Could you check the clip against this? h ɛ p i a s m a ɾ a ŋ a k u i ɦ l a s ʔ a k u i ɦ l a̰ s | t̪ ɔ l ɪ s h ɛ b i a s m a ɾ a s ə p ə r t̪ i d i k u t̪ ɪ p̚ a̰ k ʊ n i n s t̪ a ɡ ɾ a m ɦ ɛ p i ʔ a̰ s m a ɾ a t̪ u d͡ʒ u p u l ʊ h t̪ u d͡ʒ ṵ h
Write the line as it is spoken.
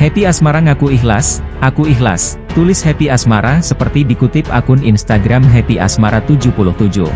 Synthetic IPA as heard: h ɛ p i a s m a ɾ a ŋ a k u i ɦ l a s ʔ a k u i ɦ l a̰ s | t̪ u l ɪ s h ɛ p i a s m a ɾ a s ə p ə r t̪ i d i k u t̪ ɪ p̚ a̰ k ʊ n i n s t̪ a ɡ ɾ a m ɦ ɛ p i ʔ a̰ s m a ɾ a t̪ u d͡ʒ u p u l ʊ h t̪ u d͡ʒ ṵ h